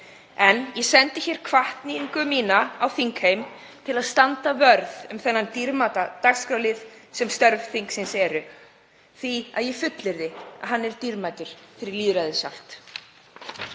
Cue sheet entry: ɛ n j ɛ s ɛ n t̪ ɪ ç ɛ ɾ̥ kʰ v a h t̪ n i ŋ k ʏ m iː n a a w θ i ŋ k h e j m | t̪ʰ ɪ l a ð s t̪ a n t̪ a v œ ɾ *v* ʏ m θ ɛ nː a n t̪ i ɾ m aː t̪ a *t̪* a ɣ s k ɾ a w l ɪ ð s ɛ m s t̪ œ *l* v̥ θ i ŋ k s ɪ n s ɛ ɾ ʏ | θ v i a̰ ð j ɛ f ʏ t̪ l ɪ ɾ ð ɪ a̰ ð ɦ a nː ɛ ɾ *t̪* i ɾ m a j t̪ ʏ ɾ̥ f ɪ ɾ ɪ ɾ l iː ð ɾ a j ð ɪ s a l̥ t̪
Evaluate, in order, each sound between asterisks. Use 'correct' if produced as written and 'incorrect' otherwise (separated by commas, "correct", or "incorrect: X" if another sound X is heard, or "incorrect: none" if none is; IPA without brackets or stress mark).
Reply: incorrect: ð, correct, incorrect: ɾ, correct